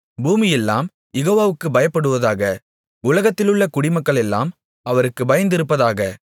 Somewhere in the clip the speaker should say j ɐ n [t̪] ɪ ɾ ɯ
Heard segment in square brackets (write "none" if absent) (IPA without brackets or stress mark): d̪